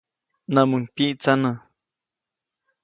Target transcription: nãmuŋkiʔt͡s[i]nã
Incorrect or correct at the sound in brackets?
incorrect: a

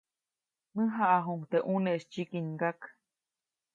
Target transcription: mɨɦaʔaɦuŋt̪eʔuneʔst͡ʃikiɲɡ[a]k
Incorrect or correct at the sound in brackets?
correct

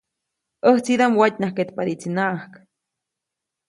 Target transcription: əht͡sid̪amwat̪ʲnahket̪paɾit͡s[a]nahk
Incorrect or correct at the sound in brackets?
incorrect: i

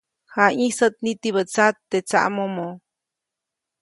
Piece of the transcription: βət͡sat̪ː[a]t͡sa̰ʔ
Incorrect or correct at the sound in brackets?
incorrect: e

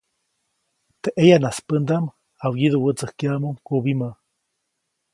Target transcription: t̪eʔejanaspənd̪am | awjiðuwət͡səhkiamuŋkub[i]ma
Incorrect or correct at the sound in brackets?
correct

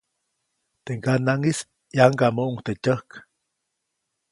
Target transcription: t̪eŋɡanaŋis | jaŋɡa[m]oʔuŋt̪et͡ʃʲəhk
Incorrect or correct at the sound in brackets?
correct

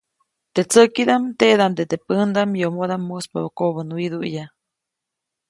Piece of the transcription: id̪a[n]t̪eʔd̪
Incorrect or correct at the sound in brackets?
incorrect: m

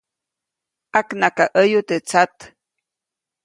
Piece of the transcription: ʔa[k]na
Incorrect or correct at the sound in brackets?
correct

